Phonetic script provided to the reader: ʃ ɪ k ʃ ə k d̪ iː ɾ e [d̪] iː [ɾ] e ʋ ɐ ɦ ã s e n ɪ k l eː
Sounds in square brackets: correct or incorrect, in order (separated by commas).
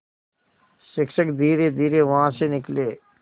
correct, correct